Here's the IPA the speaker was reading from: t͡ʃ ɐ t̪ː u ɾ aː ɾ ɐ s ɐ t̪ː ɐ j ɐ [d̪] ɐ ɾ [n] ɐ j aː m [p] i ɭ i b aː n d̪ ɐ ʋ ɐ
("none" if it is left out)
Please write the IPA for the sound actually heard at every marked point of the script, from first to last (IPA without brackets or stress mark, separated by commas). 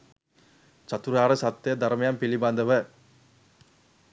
d̪, m, p